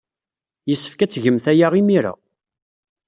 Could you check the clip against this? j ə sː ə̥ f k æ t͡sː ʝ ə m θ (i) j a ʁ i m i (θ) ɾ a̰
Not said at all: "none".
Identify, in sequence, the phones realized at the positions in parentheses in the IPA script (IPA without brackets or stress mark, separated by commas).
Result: æ, none